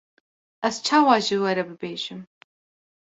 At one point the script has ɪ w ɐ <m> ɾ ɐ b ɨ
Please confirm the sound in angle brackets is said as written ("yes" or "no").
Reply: no